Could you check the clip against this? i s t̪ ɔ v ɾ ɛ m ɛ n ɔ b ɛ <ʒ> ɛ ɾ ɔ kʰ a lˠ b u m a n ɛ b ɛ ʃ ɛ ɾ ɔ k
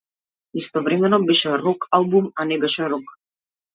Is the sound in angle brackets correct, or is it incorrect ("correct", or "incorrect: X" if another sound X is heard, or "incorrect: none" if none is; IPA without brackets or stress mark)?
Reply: incorrect: ʃ